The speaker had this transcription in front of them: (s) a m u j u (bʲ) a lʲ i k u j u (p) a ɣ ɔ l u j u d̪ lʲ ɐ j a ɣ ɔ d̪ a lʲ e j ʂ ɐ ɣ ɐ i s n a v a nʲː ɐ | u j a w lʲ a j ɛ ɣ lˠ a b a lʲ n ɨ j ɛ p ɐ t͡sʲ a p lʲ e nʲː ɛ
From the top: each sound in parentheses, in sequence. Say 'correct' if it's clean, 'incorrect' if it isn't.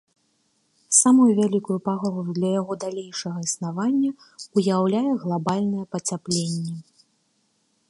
correct, incorrect, correct

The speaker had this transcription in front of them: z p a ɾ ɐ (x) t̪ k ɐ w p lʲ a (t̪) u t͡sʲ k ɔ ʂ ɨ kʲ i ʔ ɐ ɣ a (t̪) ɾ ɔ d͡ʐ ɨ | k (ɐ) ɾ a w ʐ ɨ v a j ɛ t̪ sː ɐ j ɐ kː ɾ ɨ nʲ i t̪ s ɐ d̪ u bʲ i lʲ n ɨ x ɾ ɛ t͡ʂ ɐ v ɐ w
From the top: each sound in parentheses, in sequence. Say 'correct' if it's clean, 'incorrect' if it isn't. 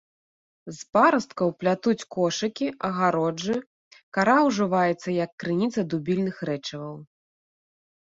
incorrect, correct, incorrect, incorrect

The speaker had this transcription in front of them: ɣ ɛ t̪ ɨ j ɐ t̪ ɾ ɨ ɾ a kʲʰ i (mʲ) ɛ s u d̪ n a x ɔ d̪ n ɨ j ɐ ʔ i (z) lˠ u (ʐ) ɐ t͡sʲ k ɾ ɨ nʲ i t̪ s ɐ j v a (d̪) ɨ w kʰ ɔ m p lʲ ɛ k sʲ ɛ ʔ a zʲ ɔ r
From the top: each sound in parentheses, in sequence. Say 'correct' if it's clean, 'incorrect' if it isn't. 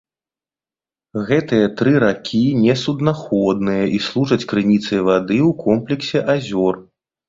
incorrect, incorrect, correct, correct

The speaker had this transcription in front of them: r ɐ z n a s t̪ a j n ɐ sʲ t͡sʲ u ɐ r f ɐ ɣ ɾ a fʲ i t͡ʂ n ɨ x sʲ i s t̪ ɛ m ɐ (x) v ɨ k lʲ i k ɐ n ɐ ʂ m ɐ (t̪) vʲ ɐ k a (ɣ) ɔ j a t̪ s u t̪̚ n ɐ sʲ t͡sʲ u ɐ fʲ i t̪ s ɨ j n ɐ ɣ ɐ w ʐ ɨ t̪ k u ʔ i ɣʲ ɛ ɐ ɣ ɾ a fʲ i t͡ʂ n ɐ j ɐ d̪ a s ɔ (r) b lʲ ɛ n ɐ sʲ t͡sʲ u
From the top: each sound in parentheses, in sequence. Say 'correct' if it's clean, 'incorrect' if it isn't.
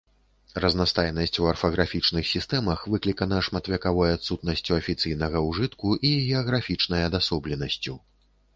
correct, correct, incorrect, incorrect

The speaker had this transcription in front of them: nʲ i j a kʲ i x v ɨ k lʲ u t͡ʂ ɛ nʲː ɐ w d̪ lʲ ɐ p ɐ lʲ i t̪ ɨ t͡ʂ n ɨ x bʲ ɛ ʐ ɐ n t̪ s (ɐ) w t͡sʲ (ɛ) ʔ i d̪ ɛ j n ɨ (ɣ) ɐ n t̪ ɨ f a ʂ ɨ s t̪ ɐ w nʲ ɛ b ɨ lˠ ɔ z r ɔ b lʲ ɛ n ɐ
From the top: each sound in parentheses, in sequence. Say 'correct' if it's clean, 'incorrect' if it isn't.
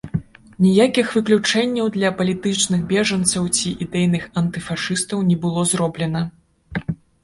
correct, incorrect, incorrect

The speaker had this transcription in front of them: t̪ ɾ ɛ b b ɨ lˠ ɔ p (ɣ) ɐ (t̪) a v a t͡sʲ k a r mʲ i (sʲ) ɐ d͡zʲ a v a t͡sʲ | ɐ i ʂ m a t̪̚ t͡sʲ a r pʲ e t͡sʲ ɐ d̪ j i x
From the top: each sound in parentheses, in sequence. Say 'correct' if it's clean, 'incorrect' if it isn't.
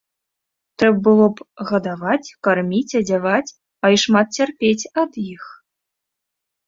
correct, incorrect, incorrect

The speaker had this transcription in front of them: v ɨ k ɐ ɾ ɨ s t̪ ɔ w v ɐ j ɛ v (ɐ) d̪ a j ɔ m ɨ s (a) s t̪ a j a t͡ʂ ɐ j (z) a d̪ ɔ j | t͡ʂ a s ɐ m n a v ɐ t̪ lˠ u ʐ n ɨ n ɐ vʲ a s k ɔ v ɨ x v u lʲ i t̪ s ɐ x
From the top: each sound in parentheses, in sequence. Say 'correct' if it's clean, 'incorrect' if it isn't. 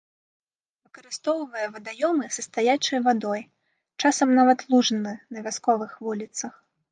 correct, incorrect, incorrect

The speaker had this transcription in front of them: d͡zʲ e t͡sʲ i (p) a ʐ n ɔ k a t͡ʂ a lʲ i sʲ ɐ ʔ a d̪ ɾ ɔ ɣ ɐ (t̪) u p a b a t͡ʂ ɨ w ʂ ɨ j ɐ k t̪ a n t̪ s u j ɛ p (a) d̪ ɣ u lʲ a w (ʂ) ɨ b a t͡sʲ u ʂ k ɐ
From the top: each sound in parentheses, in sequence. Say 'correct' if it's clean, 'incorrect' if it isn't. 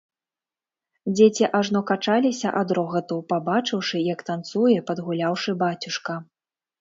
incorrect, correct, incorrect, correct

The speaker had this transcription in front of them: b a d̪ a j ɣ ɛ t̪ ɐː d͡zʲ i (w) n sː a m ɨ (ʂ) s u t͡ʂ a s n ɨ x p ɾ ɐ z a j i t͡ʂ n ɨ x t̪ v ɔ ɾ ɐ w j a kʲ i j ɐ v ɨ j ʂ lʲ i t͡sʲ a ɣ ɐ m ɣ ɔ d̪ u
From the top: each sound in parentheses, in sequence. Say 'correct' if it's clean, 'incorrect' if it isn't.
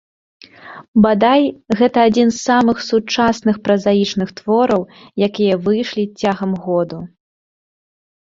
incorrect, incorrect

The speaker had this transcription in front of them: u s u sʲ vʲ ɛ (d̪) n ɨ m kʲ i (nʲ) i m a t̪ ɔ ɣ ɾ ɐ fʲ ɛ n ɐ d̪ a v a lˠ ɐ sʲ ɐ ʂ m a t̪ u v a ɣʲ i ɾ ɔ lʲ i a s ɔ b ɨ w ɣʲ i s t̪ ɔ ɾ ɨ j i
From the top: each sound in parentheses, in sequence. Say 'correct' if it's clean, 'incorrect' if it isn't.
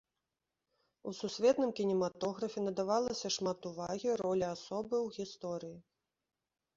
incorrect, correct

